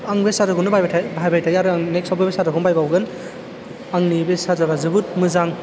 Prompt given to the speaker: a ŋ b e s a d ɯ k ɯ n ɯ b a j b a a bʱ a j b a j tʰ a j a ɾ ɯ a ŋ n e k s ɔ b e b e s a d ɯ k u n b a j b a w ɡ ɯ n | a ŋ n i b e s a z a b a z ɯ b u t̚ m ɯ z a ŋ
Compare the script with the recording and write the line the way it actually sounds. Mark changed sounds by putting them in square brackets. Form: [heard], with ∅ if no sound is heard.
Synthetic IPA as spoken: a ŋ b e s a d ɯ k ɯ n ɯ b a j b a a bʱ a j b a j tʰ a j a ɾ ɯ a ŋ n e k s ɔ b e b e s a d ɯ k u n b a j b a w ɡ ɯ n | a ŋ n i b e s a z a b a z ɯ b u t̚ m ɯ z a ŋ